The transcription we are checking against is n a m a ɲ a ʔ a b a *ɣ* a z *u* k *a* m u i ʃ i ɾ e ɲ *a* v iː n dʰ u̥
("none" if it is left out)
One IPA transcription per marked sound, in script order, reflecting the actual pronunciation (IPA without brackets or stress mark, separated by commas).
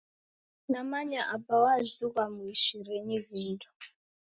w, u, a, i